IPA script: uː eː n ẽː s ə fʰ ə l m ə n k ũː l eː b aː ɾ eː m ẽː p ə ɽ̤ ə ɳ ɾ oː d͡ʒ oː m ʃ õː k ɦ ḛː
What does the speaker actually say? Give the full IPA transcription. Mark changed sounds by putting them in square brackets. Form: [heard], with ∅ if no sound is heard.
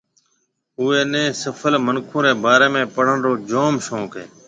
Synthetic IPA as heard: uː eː n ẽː s ə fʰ ə l m ə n [kʰ] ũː [ɾ] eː b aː ɾ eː m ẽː p ə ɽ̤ ə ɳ ɾ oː d͡ʒ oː m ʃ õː k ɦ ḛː